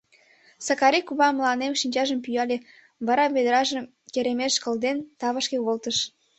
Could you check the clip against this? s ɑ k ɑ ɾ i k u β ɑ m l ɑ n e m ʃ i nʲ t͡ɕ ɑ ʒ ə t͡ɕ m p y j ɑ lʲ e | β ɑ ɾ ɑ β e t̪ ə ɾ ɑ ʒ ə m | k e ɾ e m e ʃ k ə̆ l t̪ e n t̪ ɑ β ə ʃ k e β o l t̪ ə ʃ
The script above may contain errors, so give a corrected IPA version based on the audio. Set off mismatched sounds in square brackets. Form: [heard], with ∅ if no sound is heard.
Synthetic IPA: s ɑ k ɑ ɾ i k u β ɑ m l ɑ n e m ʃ i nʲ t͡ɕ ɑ ʒ ə [∅] m p y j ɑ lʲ e | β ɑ ɾ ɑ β e [d̪] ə ɾ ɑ ʒ ə m | k e ɾ e m e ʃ k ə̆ l [d̪] e n t̪ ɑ β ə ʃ k e β o l t̪ ə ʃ